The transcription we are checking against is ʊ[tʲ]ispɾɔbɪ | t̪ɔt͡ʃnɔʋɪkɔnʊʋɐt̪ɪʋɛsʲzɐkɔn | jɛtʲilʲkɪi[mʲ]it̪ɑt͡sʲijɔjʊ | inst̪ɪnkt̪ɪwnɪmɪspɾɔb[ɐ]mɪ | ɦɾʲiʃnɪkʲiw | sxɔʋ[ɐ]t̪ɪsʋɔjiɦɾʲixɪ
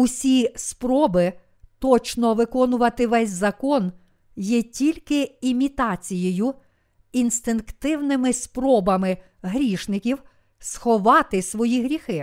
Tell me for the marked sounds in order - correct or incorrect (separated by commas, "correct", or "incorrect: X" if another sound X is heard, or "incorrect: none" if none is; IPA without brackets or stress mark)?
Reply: incorrect: sʲ, correct, correct, incorrect: ɑ